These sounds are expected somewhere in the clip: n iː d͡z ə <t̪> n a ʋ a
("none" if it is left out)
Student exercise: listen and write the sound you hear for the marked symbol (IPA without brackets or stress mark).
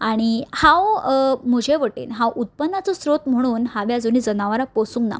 none